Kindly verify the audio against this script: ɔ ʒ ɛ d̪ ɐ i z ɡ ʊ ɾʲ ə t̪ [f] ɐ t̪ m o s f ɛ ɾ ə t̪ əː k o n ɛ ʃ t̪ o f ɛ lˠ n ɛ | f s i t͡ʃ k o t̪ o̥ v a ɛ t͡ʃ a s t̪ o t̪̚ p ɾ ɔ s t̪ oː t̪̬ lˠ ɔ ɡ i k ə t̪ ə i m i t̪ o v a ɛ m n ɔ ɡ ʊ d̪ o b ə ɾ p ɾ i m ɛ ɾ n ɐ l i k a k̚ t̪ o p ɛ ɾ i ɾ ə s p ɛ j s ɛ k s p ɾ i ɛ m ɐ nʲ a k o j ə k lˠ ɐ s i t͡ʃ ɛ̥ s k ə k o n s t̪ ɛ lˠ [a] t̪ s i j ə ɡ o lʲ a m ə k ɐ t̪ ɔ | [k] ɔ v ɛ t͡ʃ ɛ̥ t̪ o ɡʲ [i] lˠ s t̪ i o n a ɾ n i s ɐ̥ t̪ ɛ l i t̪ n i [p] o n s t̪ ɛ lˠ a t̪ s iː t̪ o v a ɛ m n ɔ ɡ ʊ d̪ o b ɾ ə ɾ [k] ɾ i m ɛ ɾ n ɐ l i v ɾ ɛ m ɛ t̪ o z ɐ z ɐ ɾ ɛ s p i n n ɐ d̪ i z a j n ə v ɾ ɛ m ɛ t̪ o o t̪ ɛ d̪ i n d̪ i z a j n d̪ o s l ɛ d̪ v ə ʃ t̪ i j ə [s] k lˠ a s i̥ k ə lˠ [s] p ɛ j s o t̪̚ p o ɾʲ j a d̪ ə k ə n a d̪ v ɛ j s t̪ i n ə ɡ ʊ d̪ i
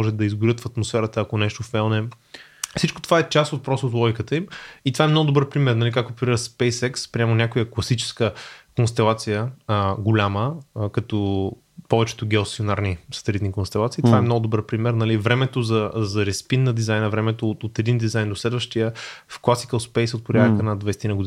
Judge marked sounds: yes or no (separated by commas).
yes, yes, no, no, no, no, no, yes